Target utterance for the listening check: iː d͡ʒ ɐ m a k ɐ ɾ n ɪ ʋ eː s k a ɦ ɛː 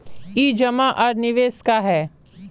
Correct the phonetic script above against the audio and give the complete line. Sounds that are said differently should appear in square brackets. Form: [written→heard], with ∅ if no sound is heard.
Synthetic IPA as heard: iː d͡ʒ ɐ m a [k→ʔ] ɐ ɾ n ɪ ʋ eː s k a ɦ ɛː